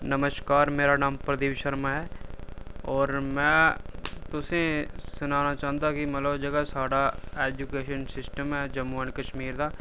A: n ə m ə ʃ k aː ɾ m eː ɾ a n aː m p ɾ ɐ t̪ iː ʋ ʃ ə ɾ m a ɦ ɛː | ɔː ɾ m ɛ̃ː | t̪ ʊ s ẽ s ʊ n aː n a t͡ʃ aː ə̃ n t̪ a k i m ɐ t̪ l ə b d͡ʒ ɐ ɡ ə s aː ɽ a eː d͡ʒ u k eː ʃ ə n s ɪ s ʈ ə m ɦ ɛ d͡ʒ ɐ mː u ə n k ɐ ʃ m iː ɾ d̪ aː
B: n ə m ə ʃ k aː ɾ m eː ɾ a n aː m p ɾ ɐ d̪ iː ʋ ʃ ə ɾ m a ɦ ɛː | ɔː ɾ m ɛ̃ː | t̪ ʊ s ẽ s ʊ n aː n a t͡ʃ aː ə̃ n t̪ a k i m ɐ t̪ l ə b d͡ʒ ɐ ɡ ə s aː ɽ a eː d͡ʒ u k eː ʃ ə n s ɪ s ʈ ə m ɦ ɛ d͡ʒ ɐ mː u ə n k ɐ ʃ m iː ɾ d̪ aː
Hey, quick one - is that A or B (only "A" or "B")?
B